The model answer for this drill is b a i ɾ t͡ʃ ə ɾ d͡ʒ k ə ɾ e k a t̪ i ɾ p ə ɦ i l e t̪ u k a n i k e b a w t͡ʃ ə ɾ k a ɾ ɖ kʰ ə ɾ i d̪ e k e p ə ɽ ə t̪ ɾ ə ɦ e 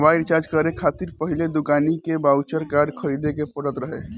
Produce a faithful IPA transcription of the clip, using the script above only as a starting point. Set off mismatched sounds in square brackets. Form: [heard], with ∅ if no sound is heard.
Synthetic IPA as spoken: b a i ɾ t͡ʃ [a] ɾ d͡ʒ k ə ɾ e [kʰ] a t̪ i ɾ p ə ɦ i l e [d̪] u k a n i k e b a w t͡ʃ ə ɾ k a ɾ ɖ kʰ ə ɾ i d̪ e k e p ə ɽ ə t̪ ɾ ə ɦ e